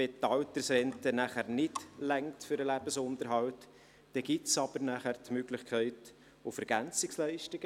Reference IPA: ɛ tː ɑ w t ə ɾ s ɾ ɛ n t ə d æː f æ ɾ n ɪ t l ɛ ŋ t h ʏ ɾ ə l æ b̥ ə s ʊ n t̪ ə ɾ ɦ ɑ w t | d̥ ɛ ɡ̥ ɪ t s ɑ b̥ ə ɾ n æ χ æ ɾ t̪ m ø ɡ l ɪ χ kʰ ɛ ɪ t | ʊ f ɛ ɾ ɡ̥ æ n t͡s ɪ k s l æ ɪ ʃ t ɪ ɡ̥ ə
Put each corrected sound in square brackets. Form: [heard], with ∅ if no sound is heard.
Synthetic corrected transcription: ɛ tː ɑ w t ə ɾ s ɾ ɛ n t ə [n] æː [χ] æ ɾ n ɪ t l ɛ ŋ t [f] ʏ ɾ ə l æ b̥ ə s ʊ n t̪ ə ɾ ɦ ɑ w t | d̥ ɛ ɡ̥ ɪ t s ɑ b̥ ə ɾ n æ χ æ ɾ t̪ m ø ɡ l ɪ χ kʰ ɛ ɪ t | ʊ f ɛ ɾ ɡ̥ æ n t͡s ɪ k s l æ ɪ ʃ t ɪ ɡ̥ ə